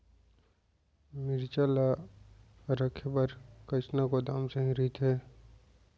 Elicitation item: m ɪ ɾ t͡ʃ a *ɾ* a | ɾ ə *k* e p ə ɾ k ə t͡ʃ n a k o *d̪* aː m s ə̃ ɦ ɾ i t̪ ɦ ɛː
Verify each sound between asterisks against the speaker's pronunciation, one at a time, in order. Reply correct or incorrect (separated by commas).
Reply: incorrect, incorrect, correct